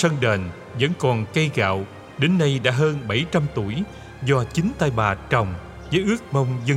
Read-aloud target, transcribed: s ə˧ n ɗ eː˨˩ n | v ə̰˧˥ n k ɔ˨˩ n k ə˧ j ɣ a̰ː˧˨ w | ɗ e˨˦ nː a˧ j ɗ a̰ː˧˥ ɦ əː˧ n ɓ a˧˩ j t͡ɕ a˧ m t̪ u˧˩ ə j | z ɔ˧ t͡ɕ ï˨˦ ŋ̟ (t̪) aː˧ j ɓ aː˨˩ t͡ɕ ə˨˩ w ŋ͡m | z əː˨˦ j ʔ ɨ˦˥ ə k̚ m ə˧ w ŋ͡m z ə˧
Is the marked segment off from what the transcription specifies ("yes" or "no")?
no